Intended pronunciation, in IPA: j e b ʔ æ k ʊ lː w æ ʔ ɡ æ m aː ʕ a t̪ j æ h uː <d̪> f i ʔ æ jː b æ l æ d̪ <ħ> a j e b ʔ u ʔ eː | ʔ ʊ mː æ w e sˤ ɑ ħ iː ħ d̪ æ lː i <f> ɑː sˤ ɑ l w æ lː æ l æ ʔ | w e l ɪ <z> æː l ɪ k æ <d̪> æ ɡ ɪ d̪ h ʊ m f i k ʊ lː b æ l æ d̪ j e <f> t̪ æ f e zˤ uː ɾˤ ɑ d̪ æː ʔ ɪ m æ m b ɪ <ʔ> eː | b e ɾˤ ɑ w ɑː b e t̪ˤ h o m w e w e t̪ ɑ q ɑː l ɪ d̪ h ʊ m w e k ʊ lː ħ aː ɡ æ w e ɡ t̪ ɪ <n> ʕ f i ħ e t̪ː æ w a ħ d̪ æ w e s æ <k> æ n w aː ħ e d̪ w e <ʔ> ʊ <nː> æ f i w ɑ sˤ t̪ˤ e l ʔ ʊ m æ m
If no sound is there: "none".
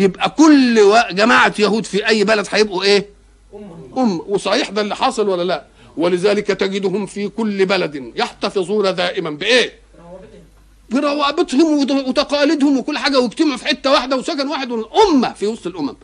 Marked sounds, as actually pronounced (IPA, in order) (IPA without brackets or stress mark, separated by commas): d̪, ħ, ħ, z, t̪, ħ, ʔ, m, k, ʔ, mː